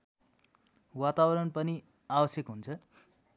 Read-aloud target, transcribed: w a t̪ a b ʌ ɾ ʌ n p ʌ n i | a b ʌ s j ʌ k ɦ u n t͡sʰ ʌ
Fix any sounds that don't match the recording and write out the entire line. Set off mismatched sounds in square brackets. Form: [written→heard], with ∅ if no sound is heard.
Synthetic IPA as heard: w a t̪ a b ʌ ɾ ʌ n p ʌ n i | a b ʌ s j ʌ k ɦ u n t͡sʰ ʌ